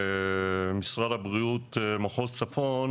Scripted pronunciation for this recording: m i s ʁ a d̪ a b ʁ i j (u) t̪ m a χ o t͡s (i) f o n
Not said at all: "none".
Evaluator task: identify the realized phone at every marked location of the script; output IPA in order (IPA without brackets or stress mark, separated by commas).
u, a